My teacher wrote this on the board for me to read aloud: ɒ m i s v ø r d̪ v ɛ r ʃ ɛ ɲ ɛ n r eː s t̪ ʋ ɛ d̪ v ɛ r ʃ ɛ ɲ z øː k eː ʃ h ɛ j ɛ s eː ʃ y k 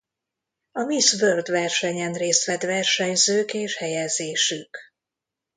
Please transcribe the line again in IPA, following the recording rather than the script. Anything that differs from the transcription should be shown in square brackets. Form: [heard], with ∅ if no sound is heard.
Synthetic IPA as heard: ɒ m i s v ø r d̪ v ɛ r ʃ ɛ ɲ ɛ n r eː s t̪ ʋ ɛ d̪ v ɛ r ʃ ɛ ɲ z øː k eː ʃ h ɛ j ɛ [z] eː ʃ y k